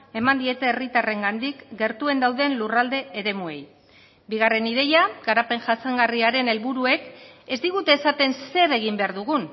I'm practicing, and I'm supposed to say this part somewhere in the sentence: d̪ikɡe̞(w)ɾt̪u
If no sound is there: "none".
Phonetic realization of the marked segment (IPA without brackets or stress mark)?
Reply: none